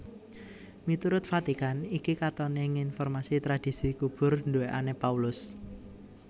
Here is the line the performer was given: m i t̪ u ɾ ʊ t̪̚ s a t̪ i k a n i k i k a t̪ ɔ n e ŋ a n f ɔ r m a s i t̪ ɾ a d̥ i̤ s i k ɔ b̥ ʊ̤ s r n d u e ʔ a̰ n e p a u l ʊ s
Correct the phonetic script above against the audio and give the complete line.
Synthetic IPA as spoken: m i t̪ u ɾ ʊ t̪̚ f a t̪ i k a n i k i k a t̪ ɔ n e ŋ i n f ɔ r m a s i t̪ ɾ a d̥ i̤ s i k u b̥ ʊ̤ r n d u e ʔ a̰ n e p a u l ʊ s